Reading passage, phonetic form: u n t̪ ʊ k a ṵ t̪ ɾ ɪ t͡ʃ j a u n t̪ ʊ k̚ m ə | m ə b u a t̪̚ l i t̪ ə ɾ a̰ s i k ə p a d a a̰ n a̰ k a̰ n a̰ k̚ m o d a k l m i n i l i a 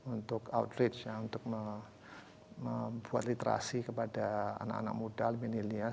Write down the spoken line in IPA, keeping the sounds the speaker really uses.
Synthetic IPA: u n t̪ ʊ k a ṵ t̪ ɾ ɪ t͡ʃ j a u n t̪ ʊ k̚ m ə | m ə b u a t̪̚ l i t̪ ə ɾ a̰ s i k ə p a d a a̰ n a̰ k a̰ n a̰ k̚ m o d a l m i n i l i a